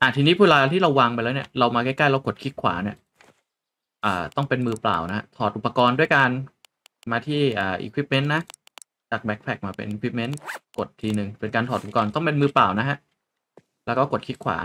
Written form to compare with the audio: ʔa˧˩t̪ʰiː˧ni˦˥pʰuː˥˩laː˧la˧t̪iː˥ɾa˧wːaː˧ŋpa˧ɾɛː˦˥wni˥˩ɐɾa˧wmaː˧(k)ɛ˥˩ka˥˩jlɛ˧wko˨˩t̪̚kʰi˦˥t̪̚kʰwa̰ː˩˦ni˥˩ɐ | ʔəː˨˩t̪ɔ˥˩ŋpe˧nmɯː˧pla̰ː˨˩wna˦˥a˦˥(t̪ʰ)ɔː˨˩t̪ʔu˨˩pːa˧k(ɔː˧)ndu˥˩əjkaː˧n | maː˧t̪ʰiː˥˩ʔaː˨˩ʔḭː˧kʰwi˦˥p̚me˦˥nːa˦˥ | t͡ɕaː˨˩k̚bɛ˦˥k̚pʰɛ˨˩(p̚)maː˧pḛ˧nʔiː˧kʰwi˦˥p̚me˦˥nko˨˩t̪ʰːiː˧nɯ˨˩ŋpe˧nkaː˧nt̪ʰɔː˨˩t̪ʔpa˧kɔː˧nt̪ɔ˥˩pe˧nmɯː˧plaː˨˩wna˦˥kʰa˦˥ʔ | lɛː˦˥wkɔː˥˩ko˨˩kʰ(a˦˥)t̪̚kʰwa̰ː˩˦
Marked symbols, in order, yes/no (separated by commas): yes, yes, yes, no, no